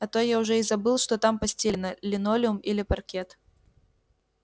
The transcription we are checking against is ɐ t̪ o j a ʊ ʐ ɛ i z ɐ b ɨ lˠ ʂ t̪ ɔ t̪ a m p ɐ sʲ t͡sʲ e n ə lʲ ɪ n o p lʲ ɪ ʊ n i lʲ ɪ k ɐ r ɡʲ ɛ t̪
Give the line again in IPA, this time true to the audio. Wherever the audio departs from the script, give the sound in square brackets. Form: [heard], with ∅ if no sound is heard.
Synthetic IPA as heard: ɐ t̪ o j a ʊ ʐ ɛ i z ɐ b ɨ lˠ ʂ t̪ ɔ t̪ a m p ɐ sʲ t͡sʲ e n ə lʲ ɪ n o [∅] lʲ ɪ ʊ [m] i lʲ ɪ [p] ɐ r [kʲ] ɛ t̪